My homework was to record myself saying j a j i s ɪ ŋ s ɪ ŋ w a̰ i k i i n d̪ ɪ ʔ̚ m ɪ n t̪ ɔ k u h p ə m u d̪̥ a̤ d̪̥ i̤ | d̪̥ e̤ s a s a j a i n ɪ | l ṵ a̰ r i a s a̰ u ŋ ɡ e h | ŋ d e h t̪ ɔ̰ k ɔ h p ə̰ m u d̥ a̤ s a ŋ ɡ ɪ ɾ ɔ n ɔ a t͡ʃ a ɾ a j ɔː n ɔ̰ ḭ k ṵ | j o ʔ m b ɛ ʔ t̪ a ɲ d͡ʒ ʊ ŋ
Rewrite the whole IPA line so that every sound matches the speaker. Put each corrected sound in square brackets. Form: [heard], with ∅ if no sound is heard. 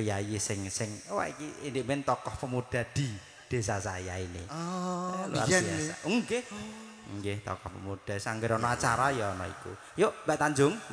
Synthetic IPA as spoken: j a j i s ɪ ŋ s ɪ ŋ w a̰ i k i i n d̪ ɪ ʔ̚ m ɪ n t̪ ɔ k [ɔ] h p ə m u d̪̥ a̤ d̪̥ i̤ | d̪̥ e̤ s a s a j a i n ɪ | l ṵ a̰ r i a s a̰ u ŋ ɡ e h | ŋ [ɡ] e h t̪ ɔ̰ k ɔ h p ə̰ m u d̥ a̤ s a ŋ ɡ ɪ ɾ ɔ n ɔ a t͡ʃ a ɾ a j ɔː n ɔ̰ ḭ k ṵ | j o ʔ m b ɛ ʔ t̪ a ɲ d͡ʒ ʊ ŋ